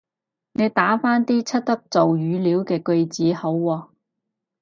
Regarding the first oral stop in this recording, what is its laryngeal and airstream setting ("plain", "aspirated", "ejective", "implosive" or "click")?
plain